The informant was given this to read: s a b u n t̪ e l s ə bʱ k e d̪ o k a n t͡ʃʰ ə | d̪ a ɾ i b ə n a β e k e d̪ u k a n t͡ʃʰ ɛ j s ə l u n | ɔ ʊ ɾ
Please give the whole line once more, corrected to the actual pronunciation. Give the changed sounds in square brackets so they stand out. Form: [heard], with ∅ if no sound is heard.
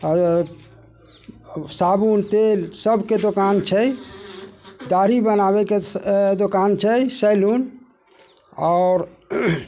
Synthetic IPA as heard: s a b u n t̪ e l s ə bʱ k e d̪ o k a n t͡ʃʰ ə | d̪ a ɾ i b ə n a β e k e d̪ [o] k a n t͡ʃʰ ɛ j s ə l u n | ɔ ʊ ɾ